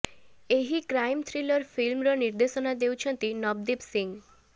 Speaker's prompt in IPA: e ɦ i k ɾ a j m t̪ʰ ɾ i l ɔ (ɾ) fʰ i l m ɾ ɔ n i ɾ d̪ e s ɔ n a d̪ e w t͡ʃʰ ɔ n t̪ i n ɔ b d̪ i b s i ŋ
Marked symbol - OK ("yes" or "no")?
yes